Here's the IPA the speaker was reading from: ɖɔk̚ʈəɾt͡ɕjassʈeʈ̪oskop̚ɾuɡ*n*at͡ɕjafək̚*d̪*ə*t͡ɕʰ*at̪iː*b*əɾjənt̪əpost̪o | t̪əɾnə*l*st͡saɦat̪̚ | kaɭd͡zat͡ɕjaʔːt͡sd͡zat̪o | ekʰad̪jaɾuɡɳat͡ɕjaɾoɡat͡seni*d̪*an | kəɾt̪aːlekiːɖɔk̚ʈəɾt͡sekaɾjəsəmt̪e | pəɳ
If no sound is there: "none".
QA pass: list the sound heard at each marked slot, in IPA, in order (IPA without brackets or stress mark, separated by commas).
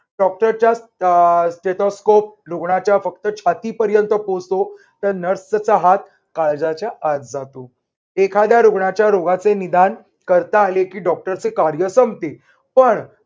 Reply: ɳ, t̪, t͡ɕʰ, p, ɾ, d̪